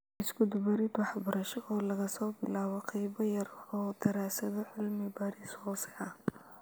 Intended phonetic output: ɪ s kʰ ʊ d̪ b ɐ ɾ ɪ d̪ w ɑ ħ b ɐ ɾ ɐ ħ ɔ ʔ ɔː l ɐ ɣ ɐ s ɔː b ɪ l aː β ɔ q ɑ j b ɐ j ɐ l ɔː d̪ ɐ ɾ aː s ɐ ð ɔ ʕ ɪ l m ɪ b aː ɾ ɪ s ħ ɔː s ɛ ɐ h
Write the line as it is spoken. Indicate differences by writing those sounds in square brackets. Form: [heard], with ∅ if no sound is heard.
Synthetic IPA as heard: ɪ s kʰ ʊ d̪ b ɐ ɾ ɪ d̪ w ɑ ħ b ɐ ɾ ɐ [ʃ] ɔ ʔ ɔː l ɐ ɣ ɐ s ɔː b ɪ l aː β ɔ q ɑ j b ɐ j ɐ [r] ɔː d̪ ɐ ɾ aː s ɐ ð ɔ ʕ ɪ l m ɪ b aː ɾ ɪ s [h] ɔː s ɛ ɐ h